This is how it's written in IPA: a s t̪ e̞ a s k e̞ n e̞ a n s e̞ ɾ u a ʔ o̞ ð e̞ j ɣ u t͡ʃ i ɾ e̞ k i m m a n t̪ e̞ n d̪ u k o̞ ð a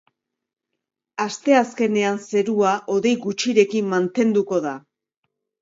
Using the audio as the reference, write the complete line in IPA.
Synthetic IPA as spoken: a s t̪ e̞ a s k e̞ n e̞ a n s e̞ ɾ u a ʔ o̞ ð e̞ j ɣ u t͡ʃ i ɾ e̞ k i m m a n t̪ e̞ n d̪ u k o̞ ð a